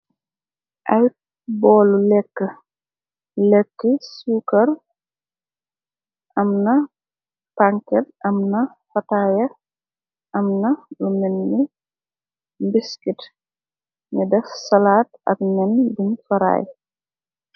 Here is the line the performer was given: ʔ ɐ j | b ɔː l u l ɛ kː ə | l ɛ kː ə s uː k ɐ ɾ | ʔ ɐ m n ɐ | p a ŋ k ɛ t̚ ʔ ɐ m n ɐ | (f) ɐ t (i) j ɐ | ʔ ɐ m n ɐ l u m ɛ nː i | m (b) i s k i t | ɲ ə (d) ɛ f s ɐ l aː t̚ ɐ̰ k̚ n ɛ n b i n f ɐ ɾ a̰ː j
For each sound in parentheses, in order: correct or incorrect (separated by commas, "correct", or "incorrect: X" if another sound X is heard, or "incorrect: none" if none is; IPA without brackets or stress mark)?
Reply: correct, incorrect: a, correct, correct